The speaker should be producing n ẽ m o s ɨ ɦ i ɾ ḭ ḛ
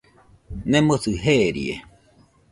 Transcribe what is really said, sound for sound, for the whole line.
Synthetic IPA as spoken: n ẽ m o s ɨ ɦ e ɾ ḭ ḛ